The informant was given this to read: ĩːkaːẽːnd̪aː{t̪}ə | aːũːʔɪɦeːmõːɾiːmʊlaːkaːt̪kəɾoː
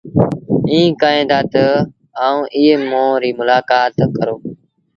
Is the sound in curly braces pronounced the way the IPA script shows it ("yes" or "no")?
yes